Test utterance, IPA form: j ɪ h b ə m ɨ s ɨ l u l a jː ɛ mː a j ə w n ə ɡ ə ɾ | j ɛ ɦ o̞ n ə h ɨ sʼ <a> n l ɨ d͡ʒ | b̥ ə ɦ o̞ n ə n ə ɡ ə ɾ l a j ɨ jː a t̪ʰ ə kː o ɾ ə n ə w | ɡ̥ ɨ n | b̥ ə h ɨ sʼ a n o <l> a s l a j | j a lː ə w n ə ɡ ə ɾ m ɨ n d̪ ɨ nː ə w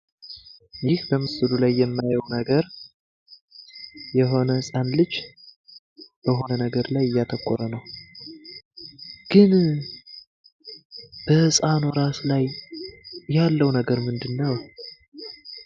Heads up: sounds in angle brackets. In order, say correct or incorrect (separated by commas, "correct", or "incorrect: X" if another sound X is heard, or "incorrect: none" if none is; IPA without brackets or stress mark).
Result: correct, incorrect: ɾ